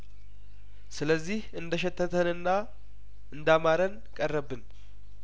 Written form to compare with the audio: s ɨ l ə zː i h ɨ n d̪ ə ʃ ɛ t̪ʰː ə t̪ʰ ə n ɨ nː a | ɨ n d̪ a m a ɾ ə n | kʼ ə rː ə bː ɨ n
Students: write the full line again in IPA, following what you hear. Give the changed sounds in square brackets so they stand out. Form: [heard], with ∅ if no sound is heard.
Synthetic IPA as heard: s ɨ l ə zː i h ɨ n d̪ ə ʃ ɛ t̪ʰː ə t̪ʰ ə n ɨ nː a | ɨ n d̪ a m a ɾ ə n | kʼ ə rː ə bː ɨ n